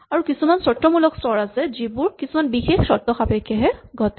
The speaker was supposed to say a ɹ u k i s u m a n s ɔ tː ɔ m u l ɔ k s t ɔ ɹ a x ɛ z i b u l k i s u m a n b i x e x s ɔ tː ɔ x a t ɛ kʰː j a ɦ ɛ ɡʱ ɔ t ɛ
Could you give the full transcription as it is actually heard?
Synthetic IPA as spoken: a ɹ u k i s u m a n s ɔ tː ɔ m u l ɔ k s t ɔ ɹ a s ɛ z i b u ɹ k i s u m a n b i x e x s ɔ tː ɔ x a p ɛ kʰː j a ɦ ɛ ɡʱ ɔ t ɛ